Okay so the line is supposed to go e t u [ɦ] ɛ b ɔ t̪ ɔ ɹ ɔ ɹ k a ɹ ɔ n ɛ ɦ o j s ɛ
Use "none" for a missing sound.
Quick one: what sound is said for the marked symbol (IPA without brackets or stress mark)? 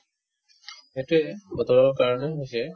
none